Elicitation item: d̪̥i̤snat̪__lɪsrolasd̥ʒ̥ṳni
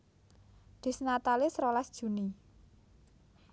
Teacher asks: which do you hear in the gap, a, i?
a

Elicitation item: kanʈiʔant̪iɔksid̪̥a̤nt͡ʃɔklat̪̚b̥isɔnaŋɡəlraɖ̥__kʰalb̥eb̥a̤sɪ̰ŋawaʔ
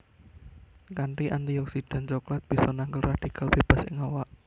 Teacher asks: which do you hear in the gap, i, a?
i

